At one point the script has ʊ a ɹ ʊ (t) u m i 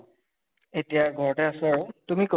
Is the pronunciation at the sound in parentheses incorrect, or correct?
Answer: correct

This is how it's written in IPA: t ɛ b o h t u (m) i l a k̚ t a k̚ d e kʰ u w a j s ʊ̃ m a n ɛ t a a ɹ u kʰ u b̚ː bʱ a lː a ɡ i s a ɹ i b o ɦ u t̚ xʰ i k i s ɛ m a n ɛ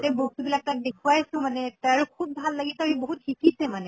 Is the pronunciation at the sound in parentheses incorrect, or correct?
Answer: incorrect: b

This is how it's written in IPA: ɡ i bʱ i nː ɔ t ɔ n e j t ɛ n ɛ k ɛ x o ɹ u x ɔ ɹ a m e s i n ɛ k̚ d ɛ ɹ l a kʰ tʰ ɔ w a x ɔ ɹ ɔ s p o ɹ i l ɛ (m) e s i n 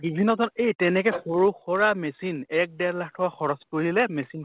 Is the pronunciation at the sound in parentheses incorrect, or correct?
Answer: correct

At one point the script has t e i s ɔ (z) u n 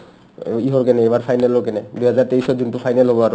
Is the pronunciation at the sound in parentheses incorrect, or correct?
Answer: correct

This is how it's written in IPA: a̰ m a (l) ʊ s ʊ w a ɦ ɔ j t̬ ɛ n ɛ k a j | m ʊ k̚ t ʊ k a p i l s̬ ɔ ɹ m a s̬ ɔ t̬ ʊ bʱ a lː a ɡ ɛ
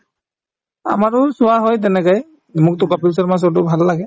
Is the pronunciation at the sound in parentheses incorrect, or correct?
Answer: incorrect: ɹ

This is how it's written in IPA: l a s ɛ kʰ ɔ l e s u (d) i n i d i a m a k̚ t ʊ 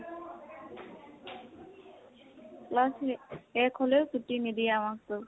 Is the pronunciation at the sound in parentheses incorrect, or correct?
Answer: incorrect: t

